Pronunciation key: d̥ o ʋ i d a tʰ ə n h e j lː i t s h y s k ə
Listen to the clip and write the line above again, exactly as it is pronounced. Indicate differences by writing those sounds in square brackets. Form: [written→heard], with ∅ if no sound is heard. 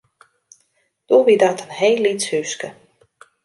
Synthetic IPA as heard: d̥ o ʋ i d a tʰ ə n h e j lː i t s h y s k ə